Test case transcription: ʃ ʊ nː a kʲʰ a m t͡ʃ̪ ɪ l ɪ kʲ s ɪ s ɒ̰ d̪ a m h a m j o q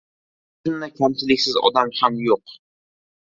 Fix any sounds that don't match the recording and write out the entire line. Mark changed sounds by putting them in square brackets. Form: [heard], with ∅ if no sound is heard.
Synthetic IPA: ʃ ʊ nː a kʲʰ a m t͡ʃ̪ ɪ l ɪ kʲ s ɪ [z] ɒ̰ d̪ a m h a m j o q